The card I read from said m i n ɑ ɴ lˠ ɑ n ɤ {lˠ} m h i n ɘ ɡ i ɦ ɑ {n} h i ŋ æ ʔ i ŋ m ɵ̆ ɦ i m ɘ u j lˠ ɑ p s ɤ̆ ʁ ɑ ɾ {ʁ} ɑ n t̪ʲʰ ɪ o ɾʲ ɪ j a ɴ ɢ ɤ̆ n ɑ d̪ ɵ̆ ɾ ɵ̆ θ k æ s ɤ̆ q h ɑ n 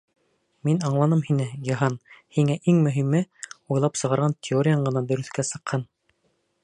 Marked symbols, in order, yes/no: no, yes, yes

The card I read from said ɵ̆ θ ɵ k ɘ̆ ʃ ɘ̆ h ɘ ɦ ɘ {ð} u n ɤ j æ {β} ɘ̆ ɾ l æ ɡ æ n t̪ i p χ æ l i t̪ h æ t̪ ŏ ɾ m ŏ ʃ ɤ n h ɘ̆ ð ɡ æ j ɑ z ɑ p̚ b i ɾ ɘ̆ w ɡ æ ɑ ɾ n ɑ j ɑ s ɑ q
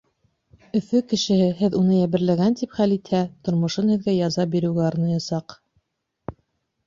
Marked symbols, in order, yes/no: yes, yes

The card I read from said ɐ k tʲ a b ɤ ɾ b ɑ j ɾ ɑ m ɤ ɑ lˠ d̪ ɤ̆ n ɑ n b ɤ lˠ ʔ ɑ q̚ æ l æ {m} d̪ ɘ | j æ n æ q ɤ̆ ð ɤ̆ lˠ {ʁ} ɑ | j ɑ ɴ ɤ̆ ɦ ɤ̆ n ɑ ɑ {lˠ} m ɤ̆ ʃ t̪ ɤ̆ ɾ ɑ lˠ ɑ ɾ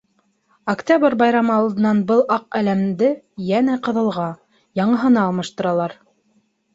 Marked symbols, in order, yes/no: yes, yes, yes

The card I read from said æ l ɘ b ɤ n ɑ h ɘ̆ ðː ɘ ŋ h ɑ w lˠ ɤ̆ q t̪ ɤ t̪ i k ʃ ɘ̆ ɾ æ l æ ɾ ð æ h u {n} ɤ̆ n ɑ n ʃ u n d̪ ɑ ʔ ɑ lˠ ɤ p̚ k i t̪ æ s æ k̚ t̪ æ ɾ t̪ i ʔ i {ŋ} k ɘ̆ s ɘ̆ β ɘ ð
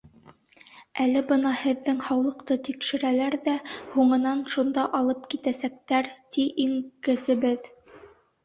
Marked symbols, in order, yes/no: no, yes

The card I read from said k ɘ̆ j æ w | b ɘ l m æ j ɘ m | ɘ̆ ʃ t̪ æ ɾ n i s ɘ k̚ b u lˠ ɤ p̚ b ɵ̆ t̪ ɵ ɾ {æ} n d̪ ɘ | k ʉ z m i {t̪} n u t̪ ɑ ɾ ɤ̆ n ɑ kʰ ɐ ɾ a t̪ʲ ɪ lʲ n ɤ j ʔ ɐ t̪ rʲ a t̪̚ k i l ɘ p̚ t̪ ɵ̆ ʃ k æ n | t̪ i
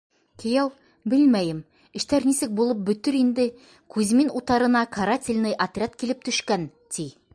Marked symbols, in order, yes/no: no, no

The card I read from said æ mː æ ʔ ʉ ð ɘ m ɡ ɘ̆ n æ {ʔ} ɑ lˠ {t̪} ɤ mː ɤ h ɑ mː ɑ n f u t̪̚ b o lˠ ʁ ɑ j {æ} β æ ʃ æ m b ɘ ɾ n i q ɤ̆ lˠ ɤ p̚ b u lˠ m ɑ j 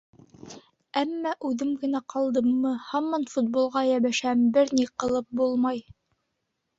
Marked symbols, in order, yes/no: no, no, yes

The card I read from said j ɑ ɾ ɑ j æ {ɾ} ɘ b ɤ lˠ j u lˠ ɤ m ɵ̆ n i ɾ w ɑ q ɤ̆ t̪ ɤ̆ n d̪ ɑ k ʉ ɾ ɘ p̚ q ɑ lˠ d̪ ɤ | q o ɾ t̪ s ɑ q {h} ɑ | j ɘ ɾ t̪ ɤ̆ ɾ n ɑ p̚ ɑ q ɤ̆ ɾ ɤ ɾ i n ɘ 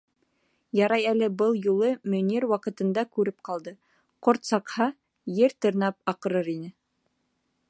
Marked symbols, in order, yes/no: no, yes

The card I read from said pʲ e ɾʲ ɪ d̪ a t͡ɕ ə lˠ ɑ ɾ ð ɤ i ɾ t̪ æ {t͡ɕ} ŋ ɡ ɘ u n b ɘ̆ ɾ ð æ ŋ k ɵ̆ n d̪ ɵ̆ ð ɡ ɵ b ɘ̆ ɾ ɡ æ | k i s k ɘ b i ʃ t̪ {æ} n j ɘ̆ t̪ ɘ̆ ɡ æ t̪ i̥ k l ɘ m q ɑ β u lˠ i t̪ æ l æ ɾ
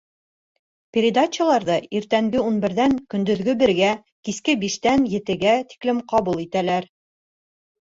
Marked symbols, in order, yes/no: no, yes

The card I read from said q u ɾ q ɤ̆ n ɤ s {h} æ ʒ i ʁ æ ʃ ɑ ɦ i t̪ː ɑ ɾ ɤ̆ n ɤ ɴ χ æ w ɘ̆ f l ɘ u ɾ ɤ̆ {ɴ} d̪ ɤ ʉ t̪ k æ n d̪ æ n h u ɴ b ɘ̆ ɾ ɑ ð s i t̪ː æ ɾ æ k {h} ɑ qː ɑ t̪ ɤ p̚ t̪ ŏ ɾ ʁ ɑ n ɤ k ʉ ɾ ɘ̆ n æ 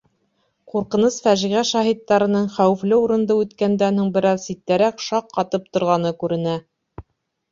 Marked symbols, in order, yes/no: no, no, no

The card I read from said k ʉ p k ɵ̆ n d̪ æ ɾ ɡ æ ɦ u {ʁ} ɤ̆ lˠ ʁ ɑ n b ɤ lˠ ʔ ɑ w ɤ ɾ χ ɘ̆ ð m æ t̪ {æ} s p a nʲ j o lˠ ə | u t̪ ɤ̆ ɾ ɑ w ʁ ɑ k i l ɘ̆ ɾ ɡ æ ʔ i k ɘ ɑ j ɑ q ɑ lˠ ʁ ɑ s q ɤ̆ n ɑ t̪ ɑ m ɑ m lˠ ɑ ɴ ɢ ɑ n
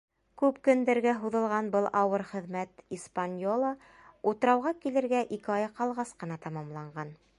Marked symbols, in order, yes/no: no, no

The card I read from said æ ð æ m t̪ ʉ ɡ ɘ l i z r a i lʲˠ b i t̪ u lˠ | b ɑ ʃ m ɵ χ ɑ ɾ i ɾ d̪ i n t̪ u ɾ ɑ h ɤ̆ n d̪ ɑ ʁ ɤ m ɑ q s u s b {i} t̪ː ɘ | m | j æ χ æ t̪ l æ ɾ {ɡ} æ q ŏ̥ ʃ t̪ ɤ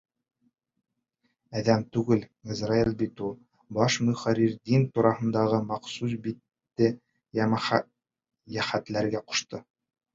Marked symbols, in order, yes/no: yes, yes

